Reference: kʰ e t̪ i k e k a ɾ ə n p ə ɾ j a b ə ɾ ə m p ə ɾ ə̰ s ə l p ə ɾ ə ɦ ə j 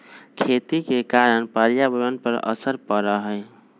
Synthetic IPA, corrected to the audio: kʰ e t̪ i k e k a ɾ ə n p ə ɾ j a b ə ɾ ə n p ə ɾ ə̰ s ə ɾ p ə ɾ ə ɦ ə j